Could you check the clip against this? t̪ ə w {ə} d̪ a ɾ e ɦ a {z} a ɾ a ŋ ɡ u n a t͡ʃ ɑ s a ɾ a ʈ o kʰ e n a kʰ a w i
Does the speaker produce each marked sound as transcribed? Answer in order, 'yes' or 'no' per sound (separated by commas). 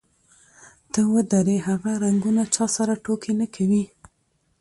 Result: yes, no